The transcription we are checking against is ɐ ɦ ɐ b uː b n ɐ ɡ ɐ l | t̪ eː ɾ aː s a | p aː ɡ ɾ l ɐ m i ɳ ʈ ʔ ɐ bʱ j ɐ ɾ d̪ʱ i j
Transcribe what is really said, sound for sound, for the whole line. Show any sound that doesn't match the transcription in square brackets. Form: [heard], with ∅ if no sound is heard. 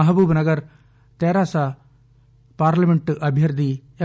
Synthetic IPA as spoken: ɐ ɦ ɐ b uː b n ɐ ɡ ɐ [ɾ] | t̪ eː ɾ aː s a | p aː [∅] ɾ l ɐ m [e] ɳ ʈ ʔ ɐ bʱ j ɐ ɾ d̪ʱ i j